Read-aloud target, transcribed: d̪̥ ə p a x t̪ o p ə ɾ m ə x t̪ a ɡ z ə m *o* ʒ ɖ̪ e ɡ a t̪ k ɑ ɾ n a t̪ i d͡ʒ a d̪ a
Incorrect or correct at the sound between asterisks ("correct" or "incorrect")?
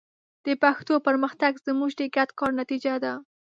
incorrect